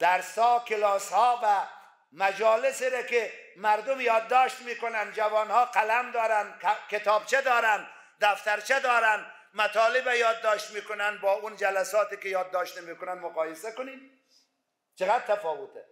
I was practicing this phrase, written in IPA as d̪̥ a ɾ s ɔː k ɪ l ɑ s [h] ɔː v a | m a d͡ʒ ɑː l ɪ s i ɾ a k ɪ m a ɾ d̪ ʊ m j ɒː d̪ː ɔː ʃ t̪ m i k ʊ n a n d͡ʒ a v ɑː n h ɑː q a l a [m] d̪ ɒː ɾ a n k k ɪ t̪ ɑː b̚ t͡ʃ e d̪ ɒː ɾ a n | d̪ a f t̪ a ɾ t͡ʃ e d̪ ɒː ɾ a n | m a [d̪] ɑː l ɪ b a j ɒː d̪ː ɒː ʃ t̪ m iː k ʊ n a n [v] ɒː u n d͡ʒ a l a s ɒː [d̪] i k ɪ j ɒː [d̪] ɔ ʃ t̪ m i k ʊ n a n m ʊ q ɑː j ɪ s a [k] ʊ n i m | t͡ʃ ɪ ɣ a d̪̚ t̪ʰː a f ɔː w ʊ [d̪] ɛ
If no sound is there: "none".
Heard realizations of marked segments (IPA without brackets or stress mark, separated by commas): h, m, t̪, b, t̪, d̪ː, k, t̪